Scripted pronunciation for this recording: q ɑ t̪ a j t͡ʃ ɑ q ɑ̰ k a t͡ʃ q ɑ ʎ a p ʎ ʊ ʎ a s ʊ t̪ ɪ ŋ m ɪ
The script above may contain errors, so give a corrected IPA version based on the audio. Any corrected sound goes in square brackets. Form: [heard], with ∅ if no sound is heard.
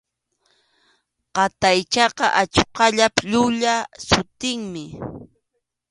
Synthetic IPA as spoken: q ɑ t̪ a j t͡ʃ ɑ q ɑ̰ [ʔ] a t͡ʃ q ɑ ʎ a p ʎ ʊ ʎ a s ʊ t̪ ɪ ŋ m ɪ